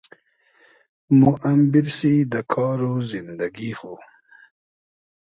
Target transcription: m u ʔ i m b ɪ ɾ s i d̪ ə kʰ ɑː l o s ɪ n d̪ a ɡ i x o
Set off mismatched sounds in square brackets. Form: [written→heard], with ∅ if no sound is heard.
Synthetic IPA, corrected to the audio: m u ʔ [i→a] m b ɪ ɾ s i d̪ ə kʰ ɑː [l→ɾ] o [s→z] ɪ n d̪ a ɡ i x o